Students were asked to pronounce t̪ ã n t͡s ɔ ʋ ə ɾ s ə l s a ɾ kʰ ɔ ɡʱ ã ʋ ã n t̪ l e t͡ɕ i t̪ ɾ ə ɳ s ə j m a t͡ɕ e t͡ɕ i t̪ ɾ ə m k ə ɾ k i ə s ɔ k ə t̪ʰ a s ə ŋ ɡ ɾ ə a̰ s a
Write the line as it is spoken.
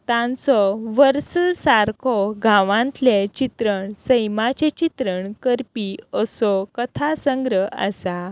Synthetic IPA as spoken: t̪ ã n t͡s ɔ ʋ ə ɾ s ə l s a ɾ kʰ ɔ ɡʱ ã ʋ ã n t̪ l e t͡ɕ i t̪ ɾ ə ɳ s ə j m a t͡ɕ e t͡ɕ i t̪ ɾ ə ɳ k ə ɾ p i ə s ɔ k ə t̪ʰ a s ə ŋ ɡ ɾ ə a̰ s a